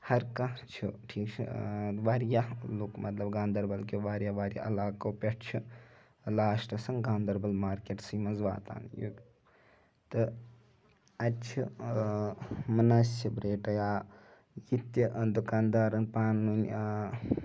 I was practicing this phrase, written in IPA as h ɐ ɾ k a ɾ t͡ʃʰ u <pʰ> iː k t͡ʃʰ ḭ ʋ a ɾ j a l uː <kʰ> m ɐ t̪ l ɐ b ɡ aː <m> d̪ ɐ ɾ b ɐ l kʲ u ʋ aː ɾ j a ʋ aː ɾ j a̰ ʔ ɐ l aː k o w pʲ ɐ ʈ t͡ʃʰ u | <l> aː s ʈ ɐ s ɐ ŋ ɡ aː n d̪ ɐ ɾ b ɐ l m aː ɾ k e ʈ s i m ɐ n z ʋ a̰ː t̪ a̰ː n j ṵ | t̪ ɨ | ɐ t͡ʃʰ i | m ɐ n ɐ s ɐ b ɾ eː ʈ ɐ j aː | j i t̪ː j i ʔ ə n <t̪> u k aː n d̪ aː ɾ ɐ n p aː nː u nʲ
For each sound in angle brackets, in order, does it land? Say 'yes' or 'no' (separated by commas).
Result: no, no, no, yes, no